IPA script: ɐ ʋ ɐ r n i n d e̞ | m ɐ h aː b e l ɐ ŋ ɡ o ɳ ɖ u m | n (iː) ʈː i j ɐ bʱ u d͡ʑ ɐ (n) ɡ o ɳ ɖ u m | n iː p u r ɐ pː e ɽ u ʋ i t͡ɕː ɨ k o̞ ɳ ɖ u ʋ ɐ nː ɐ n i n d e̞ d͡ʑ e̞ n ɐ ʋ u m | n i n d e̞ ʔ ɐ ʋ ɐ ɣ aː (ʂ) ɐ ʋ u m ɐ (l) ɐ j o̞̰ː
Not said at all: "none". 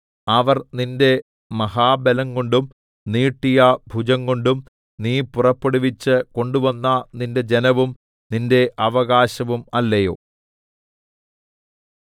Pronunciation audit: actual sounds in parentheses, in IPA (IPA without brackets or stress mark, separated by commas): iː, ŋ, ɕ, lː